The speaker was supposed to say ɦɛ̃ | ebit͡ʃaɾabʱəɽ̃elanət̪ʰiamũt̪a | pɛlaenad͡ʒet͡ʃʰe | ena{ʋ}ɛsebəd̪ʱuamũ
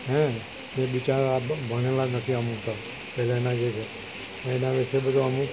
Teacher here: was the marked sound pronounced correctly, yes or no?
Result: yes